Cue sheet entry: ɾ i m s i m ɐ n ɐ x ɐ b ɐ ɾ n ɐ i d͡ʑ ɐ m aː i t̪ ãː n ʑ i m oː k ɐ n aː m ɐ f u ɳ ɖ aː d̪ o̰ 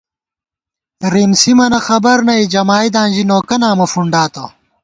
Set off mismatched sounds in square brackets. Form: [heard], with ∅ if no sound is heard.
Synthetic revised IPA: ɾ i m s i m ɐ n ɐ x ɐ b ɐ ɾ n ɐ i d͡ʑ ɐ m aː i [d̪] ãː n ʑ i [n] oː k ɐ n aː m ɐ f u ɳ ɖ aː [t̪] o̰